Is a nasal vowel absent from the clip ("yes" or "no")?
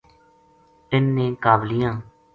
no